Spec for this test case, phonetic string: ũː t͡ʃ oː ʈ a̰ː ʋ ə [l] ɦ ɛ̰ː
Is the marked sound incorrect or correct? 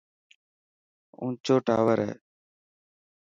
incorrect